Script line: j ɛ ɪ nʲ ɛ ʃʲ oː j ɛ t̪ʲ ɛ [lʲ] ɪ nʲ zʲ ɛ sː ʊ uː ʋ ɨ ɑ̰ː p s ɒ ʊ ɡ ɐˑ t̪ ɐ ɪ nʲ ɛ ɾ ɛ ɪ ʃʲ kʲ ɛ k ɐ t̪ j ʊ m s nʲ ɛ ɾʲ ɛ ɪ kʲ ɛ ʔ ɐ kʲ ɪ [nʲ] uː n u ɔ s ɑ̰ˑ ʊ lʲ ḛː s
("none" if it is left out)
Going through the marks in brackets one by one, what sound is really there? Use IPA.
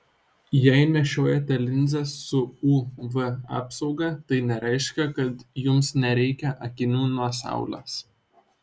lʲ, nʲ

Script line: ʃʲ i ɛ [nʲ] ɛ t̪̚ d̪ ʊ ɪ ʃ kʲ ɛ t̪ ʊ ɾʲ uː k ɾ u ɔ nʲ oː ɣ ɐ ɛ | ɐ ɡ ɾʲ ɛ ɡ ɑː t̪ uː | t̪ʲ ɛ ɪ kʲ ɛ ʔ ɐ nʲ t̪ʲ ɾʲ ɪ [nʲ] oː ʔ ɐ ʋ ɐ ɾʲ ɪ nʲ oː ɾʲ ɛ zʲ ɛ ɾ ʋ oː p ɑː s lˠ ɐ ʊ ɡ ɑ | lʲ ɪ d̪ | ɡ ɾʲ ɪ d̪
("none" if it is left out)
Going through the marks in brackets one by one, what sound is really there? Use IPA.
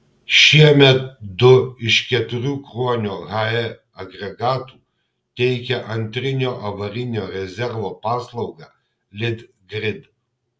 mʲ, nʲ

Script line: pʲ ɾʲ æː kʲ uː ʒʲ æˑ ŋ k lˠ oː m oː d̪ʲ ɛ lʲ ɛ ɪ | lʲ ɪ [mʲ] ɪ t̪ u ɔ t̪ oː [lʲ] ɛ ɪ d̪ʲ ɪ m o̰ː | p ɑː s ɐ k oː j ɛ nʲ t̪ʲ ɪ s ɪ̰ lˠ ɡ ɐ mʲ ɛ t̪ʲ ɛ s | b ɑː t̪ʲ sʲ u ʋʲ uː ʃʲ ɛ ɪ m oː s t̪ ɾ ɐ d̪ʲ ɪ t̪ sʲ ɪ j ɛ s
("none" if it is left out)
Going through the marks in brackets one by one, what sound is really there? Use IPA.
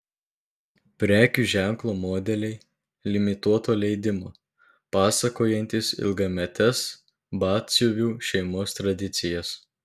mʲ, lʲ

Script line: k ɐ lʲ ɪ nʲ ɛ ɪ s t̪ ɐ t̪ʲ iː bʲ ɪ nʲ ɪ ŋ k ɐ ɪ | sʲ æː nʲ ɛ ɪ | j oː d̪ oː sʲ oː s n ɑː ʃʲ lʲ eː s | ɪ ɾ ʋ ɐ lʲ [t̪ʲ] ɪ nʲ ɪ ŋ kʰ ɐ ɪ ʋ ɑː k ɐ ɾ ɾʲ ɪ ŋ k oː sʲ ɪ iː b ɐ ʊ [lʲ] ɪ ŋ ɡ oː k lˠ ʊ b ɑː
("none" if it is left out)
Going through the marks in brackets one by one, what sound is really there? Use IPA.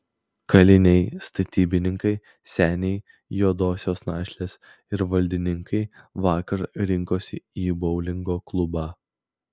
d̪ʲ, lʲ

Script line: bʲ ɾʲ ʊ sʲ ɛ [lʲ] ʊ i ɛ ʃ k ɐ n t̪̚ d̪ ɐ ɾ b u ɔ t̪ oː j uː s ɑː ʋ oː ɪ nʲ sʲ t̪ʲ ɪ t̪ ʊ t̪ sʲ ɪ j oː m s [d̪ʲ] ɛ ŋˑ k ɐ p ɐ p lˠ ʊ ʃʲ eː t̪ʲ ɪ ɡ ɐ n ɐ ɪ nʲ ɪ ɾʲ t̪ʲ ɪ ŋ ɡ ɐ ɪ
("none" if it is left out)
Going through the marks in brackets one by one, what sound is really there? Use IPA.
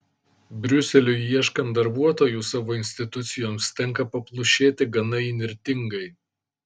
lʲ, t̪ʲ

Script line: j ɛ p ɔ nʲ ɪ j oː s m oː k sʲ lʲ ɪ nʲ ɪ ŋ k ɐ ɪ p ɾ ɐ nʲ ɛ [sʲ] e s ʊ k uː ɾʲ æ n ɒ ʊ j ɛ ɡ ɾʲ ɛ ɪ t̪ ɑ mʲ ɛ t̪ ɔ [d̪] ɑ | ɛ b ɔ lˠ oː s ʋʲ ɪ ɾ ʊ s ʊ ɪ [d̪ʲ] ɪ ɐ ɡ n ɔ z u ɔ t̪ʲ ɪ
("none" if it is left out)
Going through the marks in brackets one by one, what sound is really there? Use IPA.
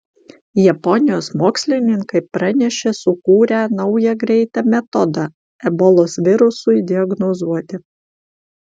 ʃʲ, d̪, d̪ʲ

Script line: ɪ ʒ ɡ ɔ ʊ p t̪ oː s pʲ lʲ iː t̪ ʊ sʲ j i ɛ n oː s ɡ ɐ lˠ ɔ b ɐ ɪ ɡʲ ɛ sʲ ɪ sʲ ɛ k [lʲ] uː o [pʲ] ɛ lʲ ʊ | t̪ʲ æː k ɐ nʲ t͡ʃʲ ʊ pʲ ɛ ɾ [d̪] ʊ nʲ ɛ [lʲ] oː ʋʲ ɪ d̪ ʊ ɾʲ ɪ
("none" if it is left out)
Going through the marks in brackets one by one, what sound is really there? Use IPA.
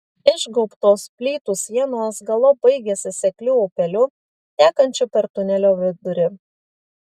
lʲ, pʲ, t̪, lʲ

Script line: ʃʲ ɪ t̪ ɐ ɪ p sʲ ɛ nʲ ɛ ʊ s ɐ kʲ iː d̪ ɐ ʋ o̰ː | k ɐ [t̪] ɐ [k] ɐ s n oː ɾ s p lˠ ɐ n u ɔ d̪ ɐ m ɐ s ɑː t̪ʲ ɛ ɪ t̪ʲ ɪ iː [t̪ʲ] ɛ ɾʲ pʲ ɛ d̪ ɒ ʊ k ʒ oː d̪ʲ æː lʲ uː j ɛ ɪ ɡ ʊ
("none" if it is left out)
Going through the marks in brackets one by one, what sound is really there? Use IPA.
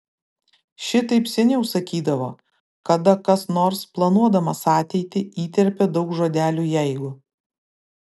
d̪, k, t̪ʲ

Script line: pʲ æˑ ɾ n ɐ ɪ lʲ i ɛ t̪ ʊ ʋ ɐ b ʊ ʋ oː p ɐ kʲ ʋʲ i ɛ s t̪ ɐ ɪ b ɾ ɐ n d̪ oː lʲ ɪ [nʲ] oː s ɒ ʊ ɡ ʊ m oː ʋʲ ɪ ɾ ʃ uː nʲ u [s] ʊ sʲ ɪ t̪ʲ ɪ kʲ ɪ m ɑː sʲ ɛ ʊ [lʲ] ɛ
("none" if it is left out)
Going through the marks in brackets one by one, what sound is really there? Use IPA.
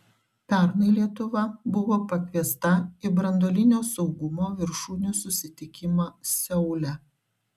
nʲ, s, lʲ

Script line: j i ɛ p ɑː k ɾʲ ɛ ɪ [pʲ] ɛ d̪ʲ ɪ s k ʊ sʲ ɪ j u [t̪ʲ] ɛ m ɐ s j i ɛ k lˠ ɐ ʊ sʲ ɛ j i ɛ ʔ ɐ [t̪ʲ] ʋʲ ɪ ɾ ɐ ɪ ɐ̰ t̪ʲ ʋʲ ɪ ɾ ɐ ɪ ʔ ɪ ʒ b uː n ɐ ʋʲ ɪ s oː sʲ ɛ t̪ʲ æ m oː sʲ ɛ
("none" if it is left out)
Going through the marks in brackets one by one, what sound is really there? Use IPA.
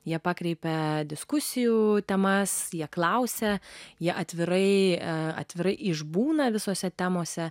pʲ, t̪ʲ, t̪ʲ

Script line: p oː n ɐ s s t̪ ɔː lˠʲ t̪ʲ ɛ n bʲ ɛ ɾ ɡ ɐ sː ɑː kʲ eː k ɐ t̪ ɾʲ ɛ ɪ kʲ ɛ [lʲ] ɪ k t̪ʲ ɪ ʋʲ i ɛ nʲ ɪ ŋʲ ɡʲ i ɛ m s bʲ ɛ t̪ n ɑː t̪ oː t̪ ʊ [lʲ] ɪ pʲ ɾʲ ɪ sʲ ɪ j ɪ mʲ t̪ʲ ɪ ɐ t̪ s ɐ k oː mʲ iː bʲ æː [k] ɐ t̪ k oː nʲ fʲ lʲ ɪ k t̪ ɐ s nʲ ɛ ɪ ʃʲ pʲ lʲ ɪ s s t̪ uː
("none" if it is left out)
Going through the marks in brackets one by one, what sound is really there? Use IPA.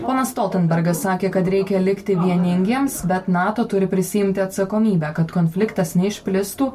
lʲ, ɾʲ, k

